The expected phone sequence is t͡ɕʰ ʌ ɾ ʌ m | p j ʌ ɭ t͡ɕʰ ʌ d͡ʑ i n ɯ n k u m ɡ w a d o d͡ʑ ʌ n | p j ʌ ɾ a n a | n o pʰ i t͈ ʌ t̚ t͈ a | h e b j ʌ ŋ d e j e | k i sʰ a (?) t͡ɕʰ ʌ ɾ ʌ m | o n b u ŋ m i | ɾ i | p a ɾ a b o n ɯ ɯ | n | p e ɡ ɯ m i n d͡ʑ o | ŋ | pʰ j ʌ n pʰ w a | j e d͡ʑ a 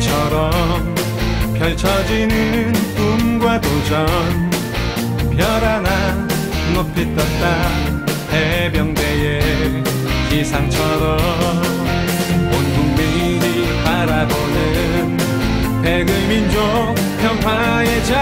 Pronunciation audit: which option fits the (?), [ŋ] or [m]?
ŋ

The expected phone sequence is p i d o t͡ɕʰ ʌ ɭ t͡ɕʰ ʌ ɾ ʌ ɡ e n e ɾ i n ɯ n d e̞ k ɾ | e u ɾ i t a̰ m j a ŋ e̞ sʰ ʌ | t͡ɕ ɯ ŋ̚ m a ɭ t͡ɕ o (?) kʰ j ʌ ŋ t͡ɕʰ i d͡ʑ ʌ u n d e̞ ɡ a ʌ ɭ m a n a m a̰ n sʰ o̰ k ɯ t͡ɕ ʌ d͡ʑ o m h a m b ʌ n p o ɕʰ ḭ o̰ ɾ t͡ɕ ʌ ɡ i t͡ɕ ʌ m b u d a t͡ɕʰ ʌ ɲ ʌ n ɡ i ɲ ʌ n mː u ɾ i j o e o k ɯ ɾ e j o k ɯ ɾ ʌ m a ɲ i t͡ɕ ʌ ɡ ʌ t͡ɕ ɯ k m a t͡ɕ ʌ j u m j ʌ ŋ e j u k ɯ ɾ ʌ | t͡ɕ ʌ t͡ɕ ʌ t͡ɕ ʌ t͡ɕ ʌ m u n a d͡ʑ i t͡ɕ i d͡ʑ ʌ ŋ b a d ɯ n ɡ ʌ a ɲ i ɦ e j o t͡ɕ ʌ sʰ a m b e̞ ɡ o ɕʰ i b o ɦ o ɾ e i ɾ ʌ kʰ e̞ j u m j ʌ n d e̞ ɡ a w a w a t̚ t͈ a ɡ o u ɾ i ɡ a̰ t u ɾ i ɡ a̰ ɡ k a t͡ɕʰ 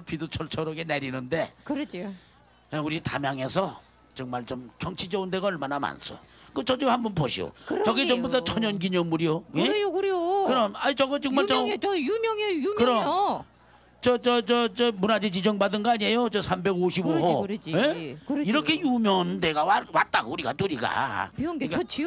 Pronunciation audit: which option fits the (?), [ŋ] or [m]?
m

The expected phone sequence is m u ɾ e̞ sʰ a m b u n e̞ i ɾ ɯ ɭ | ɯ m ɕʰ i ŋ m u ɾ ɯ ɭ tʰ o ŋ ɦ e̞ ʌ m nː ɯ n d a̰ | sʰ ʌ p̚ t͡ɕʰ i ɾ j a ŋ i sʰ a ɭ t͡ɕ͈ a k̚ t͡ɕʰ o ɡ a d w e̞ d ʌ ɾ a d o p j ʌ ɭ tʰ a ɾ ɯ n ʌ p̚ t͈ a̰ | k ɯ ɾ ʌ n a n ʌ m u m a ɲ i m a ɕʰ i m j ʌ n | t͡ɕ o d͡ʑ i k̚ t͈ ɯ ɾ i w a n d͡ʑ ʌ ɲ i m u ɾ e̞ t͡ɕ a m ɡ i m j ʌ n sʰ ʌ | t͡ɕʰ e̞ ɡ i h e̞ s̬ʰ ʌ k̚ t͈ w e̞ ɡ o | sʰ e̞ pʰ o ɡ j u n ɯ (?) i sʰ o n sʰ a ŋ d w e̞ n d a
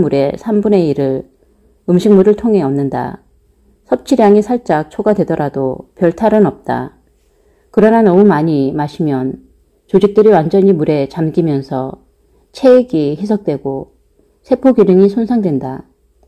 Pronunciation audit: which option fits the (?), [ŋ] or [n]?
ŋ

